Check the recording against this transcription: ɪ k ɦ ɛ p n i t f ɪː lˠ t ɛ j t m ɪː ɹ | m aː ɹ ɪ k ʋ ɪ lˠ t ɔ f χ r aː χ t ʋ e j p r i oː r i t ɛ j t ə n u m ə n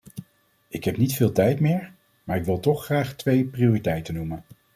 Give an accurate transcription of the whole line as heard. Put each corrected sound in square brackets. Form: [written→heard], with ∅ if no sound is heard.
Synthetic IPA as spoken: ɪ k ɦ ɛ p n i t f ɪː lˠ t ɛ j t m ɪː ɹ | m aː ɹ ɪ k ʋ ɪ lˠ t ɔ [f→χ] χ r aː χ t ʋ e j p r i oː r i t ɛ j t ə n u m ə n